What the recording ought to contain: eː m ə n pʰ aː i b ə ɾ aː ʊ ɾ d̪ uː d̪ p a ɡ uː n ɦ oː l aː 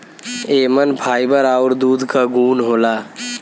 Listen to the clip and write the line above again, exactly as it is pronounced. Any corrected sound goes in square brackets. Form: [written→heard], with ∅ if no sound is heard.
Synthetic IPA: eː m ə n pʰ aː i b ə ɾ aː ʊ ɾ d̪ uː d̪ [p→k] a ɡ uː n ɦ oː l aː